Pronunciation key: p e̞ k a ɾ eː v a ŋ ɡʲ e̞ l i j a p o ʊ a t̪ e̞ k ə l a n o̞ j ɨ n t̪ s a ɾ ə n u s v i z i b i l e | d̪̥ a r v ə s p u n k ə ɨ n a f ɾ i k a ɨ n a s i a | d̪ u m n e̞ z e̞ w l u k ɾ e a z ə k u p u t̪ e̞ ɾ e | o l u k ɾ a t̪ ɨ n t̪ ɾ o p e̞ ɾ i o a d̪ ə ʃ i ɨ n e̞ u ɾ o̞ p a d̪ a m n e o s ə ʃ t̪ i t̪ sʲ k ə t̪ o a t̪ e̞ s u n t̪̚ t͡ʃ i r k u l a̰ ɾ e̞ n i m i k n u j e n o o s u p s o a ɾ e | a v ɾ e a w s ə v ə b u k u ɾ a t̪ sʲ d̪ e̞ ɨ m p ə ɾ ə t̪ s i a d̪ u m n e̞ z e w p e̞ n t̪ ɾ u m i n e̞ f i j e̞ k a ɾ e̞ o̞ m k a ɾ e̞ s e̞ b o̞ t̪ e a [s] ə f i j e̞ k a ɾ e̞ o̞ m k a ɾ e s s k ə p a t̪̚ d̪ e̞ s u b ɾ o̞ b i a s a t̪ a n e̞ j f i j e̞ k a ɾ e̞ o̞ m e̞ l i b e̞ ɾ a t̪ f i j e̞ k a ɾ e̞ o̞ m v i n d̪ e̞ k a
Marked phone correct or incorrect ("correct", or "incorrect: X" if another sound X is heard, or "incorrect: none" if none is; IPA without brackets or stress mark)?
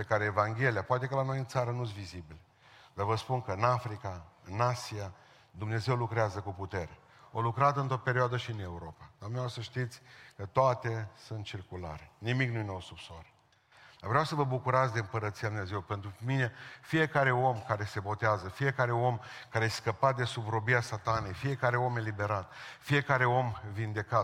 incorrect: z